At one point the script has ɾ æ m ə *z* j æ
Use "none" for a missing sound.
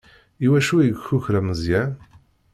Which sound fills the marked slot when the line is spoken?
z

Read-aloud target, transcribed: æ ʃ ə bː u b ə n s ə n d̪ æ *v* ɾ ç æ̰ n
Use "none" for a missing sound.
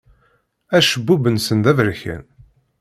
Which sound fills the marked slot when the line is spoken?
v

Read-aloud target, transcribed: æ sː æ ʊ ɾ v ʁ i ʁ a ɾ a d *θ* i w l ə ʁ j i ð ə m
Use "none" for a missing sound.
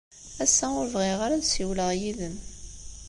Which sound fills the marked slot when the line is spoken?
s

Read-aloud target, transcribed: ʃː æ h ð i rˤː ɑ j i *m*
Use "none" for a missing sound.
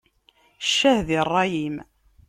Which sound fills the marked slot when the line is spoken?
m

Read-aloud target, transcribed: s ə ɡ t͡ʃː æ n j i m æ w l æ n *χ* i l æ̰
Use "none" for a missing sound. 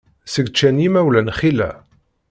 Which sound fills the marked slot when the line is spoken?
χ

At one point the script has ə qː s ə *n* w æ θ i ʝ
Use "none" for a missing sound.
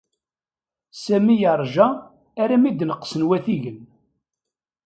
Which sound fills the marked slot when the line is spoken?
n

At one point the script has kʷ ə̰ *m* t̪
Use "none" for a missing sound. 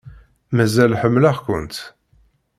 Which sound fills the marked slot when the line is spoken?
n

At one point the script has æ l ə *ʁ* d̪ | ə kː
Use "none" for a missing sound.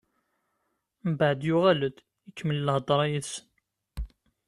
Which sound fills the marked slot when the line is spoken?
none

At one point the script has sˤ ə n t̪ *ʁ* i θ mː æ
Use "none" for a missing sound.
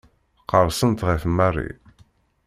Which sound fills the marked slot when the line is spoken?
ʁ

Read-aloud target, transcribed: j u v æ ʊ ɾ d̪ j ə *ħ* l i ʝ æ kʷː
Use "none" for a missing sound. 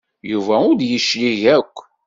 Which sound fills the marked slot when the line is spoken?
ʃ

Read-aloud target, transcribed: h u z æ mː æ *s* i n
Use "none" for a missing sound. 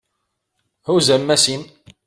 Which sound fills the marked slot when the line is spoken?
s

